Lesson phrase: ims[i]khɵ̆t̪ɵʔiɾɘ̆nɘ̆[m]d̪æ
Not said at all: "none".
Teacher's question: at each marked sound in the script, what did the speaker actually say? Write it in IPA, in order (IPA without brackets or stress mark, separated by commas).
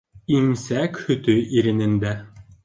æ, n